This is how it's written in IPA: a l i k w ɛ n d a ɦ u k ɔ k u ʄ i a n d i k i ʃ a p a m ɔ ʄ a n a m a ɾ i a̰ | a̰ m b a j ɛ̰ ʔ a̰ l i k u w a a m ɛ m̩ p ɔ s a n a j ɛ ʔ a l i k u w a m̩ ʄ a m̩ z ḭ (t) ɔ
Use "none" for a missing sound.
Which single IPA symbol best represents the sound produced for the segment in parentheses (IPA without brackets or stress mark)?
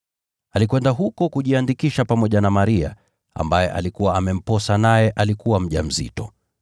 t